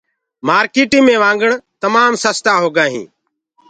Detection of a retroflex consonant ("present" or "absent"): present